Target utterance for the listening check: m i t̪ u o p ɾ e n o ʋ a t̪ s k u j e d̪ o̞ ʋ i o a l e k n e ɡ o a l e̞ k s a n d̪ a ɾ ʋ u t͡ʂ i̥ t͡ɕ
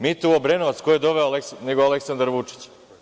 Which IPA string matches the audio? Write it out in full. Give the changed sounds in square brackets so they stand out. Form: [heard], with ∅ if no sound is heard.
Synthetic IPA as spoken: m i t̪ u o [b] ɾ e n o ʋ a t̪ s k [o] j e d̪ o̞ ʋ [e] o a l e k n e ɡ o a l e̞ k s a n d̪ a ɾ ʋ u t͡ʂ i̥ t͡ɕ